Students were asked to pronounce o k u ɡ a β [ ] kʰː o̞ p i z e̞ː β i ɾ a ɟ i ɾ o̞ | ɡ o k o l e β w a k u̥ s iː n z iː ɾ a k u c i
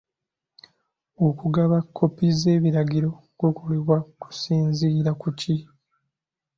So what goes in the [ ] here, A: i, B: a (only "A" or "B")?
B